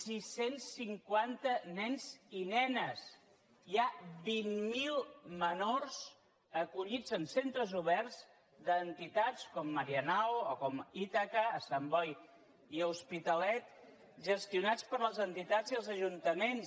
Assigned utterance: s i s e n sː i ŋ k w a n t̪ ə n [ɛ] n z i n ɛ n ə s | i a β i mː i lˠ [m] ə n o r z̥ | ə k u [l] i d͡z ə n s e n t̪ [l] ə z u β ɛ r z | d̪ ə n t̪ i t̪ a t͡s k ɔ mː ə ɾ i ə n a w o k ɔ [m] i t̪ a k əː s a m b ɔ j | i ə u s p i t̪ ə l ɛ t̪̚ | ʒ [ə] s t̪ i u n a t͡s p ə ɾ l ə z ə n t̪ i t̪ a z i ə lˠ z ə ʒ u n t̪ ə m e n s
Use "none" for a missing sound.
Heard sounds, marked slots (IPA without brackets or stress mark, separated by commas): ɛ, m, ʎ, ɾ, m, ə